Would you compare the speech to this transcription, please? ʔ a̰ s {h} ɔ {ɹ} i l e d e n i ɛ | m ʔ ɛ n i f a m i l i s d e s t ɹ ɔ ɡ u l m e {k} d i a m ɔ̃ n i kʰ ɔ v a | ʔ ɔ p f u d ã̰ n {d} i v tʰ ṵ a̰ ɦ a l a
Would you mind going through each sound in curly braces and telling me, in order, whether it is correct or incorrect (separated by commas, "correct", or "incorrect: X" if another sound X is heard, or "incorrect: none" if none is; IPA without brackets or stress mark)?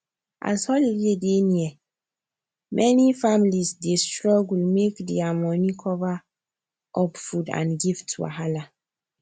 correct, incorrect: l, correct, incorrect: ɡ